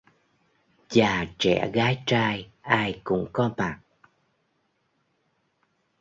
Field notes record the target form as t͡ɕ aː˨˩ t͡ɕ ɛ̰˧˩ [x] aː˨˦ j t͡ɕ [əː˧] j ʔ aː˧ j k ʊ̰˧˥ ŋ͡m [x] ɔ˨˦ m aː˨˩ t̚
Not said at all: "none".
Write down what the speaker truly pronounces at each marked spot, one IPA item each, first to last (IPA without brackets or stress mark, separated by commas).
ɣ, aː˧, k